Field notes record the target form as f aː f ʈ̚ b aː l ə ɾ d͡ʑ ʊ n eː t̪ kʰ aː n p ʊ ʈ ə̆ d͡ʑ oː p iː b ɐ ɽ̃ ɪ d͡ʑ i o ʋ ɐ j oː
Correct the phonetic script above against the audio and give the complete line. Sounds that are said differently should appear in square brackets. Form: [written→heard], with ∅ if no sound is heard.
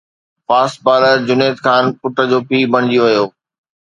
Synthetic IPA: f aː [f→s] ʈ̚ b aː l ə ɾ d͡ʑ ʊ n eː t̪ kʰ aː n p ʊ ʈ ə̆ d͡ʑ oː p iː b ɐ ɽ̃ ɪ d͡ʑ i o ʋ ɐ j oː